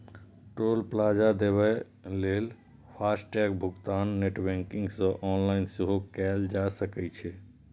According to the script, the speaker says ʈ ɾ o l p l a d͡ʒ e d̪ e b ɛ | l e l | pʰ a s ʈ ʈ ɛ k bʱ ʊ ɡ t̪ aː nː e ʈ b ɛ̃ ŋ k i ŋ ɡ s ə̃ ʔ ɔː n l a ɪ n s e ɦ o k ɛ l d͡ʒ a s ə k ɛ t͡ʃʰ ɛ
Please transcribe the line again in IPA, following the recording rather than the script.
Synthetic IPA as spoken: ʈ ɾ o l p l a d͡ʒ a d̪ e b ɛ | l e l | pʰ a s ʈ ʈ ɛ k bʱ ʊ ɡ t̪ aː nː e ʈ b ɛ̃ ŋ k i ŋ ɡ s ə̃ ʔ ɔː n l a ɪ n s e ɦ o k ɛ l d͡ʒ a s ə k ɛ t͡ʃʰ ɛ